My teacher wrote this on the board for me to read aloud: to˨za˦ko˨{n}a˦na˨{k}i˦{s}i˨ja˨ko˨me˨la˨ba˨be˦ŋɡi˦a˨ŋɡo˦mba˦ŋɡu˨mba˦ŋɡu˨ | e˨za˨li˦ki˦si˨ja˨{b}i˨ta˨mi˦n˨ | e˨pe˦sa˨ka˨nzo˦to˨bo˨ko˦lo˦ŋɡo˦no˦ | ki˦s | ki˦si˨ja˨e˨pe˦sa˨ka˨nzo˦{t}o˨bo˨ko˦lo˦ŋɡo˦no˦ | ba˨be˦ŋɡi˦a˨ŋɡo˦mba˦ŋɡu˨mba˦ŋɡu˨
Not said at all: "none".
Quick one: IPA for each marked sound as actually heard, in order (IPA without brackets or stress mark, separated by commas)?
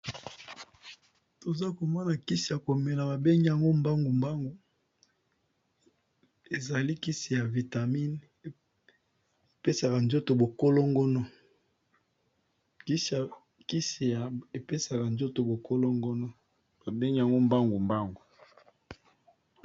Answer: m, k, s, v, t